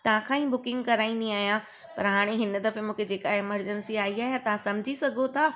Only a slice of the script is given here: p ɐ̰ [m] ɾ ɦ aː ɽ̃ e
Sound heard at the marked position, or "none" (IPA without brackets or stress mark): none